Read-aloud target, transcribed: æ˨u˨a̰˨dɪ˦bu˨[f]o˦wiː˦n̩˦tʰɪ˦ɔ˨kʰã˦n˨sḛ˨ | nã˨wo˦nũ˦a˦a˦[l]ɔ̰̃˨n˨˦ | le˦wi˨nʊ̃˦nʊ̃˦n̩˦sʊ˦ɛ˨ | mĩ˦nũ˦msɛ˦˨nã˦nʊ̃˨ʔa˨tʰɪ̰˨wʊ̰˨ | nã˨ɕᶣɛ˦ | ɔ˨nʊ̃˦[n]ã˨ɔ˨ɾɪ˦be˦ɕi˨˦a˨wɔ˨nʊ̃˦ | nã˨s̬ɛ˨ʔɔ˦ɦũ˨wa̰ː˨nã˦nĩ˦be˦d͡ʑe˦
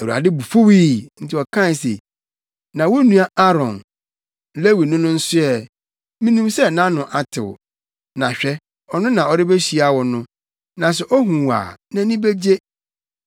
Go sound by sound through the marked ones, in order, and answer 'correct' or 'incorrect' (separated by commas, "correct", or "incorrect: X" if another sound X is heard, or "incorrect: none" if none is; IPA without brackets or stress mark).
correct, incorrect: ɾ, correct